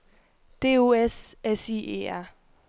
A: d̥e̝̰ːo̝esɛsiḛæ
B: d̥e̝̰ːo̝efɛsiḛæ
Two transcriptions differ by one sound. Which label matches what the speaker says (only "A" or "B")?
A